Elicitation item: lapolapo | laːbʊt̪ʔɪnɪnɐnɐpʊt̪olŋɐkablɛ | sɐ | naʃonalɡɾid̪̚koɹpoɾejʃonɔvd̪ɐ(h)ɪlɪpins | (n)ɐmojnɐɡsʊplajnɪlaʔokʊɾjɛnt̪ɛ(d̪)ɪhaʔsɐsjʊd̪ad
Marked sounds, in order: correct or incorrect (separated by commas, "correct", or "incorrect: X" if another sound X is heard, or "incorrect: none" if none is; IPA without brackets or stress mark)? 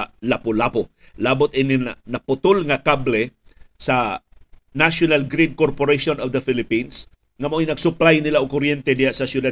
incorrect: f, incorrect: ŋ, correct